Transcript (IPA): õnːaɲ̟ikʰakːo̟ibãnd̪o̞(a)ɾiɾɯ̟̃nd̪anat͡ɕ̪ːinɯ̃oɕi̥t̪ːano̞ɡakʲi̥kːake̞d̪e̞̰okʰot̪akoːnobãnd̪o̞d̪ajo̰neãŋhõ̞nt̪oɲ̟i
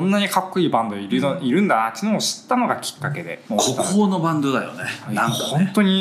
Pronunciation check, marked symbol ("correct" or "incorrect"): incorrect